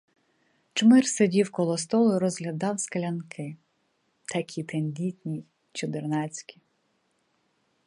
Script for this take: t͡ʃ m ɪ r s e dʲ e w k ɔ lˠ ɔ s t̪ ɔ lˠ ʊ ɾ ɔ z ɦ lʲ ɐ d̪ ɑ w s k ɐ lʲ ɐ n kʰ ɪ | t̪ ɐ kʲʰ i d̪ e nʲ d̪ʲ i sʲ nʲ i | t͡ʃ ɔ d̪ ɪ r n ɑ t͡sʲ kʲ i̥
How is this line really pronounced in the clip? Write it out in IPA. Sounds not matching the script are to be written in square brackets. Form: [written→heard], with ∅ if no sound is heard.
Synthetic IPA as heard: t͡ʃ m ɪ r s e dʲ [e→i] w k ɔ lˠ ɔ s t̪ ɔ lˠ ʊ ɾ ɔ z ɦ lʲ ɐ d̪ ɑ w s k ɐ lʲ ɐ n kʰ ɪ | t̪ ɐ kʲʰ i [d̪→t̪] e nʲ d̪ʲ i [sʲ→tʲ] nʲ i | t͡ʃ ɔ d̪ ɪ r n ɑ t͡sʲ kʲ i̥

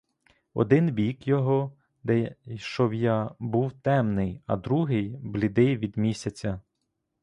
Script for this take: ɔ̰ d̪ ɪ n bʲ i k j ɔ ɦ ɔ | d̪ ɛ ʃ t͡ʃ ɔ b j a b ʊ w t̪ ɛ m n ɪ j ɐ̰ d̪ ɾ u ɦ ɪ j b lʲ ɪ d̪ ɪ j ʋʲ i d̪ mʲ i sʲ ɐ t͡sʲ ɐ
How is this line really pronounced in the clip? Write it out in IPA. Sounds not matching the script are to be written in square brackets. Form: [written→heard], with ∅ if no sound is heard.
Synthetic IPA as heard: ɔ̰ d̪ ɪ n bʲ i k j ɔ ɦ ɔ | d̪ ɛ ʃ t͡ʃ ɔ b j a b [ʊ→u] w t̪ ɛ m n ɪ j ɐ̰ d̪ ɾ u ɦ ɪ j b lʲ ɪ d̪ ɪ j ʋʲ i d̪ mʲ i sʲ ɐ t͡sʲ ɐ

